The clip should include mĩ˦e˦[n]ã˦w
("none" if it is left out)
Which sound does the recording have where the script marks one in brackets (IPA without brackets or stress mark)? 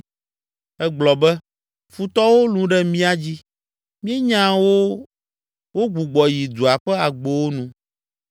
ɲ